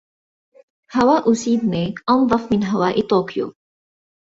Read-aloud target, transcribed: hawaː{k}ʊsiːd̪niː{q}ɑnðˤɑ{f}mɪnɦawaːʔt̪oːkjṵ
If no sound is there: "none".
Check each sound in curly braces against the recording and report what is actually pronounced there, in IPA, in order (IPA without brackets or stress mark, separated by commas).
ʔ, ʔ, f